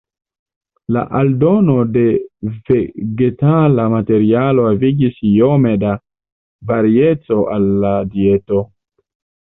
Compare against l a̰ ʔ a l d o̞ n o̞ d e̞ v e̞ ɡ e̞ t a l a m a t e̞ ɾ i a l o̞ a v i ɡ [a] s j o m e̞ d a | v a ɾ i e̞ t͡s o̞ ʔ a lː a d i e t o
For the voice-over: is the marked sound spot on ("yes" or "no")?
no